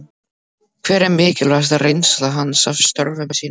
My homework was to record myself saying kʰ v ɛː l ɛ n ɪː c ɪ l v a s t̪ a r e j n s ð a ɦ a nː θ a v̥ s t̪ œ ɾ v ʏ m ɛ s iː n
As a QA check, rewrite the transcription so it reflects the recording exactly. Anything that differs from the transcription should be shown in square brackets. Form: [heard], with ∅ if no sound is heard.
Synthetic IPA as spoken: kʰ v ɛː [ɾ] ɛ [m] ɪː c ɪ l v a s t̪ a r e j n s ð a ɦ a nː [s] a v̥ s t̪ œ ɾ v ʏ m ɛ s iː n